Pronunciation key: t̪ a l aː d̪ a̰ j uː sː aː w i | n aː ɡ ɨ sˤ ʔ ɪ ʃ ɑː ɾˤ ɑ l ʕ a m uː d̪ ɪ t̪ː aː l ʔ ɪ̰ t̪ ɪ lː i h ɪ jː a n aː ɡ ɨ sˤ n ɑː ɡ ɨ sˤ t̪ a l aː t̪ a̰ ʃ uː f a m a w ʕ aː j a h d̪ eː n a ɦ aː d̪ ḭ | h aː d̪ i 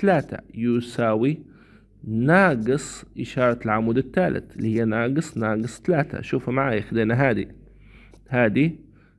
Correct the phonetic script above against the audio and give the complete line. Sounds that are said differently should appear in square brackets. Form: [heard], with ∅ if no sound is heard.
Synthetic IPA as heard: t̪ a l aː [t̪] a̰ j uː [s] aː w i | n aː ɡ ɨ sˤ ʔ ɪ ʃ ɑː ɾˤ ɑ l ʕ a m uː d̪ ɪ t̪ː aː l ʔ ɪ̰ t̪ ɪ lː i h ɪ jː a n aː ɡ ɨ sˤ n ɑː ɡ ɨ sˤ t̪ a l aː t̪ a̰ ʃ uː f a m a [∅] ʕ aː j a [x] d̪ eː n a ɦ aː d̪ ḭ | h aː d̪ i